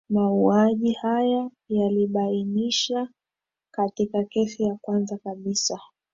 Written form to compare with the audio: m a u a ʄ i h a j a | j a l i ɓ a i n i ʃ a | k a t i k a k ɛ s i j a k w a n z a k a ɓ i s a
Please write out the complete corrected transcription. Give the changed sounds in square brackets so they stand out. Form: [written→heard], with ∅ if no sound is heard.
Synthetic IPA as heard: m a u a ʄ i h a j a | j a l i ɓ a i n i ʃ a | k a t i k a k ɛ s i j a k w a n z a k a ɓ i s a